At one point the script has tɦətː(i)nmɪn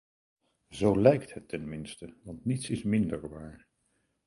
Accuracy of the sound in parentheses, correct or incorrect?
incorrect